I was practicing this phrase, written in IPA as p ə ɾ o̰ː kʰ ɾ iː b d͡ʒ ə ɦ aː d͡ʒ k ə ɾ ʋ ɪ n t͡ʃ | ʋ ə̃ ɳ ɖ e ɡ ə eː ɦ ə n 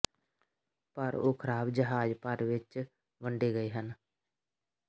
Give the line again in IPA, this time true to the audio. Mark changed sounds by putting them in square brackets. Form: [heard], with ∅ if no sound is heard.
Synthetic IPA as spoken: p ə ɾ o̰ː kʰ ɾ [aː] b d͡ʒ ə ɦ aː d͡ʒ [p] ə ɾ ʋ ɪ [∅] t͡ʃ | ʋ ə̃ ɳ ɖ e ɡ ə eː ɦ ə n